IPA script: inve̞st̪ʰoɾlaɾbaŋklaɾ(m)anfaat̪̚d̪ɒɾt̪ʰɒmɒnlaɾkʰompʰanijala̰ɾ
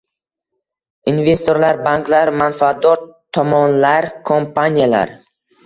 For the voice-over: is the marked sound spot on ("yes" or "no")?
yes